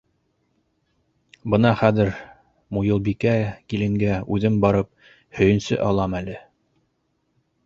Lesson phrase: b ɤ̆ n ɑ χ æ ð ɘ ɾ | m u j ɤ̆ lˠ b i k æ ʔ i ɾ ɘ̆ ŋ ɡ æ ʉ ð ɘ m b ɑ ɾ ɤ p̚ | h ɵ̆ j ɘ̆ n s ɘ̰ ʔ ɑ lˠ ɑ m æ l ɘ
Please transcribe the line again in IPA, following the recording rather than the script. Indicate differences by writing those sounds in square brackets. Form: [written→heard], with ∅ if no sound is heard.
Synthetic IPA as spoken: b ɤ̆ n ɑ χ æ ð ɘ ɾ | m u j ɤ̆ lˠ b i k æ [ʔ→k] i [ɾ→l] ɘ̆ ŋ ɡ æ ʉ ð ɘ m b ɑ ɾ ɤ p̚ | h ɵ̆ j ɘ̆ n s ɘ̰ ʔ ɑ lˠ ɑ m æ l ɘ